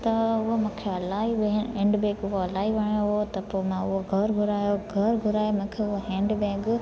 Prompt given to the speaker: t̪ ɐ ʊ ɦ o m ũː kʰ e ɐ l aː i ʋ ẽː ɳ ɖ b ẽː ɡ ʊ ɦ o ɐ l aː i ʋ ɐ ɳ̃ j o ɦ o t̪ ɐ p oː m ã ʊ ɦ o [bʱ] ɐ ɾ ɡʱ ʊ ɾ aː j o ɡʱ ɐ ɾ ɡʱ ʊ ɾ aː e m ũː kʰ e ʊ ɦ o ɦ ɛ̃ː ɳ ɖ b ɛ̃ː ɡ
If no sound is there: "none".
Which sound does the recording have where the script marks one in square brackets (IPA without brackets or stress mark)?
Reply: ɡʱ